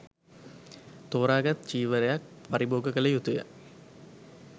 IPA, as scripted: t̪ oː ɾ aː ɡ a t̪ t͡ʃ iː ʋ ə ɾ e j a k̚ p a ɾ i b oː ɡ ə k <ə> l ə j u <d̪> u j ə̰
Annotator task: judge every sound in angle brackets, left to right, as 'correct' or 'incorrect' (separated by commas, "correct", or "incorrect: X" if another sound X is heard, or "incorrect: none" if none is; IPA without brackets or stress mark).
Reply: correct, incorrect: t̪